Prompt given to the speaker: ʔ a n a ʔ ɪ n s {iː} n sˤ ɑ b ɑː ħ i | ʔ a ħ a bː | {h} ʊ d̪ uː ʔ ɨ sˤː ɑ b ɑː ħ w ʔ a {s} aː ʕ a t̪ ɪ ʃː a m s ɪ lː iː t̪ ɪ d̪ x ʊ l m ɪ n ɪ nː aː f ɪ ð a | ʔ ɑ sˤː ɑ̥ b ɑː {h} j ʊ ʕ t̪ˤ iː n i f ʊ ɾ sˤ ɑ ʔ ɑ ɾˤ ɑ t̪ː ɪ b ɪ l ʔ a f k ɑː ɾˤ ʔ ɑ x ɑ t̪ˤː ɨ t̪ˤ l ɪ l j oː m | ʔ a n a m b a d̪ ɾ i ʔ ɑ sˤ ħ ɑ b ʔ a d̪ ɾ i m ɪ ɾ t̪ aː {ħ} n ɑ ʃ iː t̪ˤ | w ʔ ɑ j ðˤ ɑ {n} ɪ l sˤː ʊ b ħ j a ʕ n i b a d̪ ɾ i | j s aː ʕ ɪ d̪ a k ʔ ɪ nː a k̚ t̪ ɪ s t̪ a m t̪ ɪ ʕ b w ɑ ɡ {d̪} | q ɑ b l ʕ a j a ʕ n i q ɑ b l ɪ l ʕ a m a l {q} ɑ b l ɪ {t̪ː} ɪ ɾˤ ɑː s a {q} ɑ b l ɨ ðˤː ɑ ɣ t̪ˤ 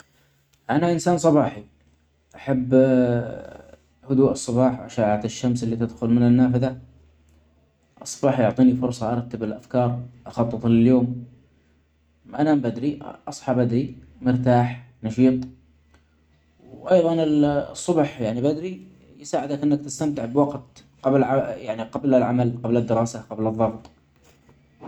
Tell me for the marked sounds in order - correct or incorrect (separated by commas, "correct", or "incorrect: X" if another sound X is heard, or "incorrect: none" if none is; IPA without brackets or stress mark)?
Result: incorrect: aː, correct, incorrect: ʃ, incorrect: ħ, correct, correct, incorrect: t̪, correct, incorrect: d̪ː, correct